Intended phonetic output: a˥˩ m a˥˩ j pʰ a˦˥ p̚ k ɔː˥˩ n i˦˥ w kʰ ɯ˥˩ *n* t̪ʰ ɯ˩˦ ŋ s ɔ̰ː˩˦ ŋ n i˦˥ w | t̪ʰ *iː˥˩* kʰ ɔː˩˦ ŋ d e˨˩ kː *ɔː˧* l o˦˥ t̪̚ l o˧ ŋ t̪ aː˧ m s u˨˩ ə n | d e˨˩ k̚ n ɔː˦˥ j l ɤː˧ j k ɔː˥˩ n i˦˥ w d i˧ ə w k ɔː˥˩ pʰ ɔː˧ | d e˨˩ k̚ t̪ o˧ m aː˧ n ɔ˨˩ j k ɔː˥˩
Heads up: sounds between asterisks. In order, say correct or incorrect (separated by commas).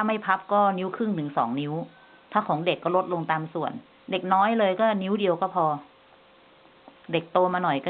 incorrect, incorrect, incorrect